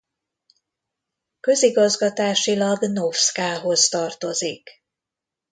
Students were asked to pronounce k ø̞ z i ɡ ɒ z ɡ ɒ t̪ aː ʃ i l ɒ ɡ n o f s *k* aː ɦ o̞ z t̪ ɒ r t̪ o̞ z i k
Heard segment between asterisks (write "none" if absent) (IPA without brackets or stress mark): k